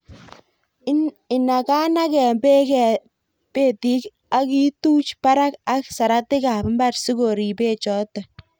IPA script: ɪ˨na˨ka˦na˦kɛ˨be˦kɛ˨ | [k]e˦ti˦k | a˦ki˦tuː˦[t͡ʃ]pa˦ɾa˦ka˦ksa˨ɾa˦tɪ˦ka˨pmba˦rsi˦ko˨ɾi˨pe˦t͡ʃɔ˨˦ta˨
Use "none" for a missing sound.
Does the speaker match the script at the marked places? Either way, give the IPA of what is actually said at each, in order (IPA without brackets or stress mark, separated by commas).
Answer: p, t͡ʃ